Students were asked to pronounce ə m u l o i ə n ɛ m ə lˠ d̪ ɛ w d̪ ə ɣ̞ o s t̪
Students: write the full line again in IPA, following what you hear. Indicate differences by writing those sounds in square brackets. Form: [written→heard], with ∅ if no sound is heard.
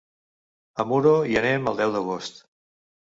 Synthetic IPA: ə m u [l→ɾ] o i ə n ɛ m ə lˠ d̪ ɛ w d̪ ə ɣ̞ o s t̪